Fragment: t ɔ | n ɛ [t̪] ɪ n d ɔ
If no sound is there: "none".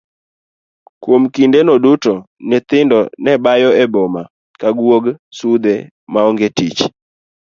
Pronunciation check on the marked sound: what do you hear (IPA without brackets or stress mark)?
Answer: t̪